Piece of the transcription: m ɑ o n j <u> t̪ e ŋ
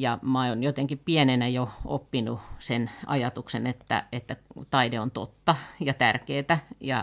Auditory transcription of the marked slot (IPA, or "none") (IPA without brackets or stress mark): o